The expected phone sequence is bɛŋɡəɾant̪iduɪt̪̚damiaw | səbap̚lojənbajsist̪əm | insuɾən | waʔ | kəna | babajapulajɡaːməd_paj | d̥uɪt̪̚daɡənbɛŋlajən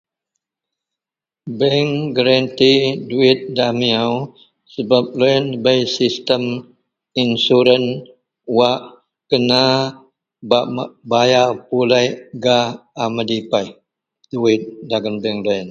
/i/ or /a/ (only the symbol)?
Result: i